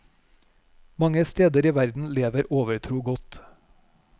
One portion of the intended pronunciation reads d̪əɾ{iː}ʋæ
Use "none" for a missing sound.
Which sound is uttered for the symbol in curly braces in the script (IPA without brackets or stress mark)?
iː